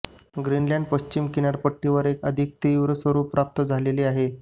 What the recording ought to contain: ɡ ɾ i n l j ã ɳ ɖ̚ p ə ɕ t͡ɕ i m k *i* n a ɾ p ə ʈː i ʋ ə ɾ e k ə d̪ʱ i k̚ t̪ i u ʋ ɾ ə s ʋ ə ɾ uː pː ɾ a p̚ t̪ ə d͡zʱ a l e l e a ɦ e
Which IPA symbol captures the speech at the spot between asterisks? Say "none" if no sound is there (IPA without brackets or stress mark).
i